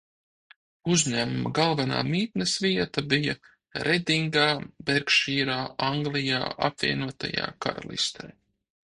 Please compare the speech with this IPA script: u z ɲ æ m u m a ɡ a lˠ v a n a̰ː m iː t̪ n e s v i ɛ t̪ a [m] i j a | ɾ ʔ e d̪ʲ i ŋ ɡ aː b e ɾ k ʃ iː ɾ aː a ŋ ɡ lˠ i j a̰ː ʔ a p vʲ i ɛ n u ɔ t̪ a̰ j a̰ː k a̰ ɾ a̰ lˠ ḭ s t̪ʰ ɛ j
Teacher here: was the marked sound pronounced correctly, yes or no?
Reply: no